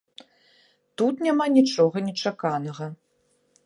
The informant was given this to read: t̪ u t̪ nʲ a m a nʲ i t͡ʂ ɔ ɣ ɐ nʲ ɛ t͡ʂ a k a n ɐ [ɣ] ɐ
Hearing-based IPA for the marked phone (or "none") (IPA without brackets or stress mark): ɣ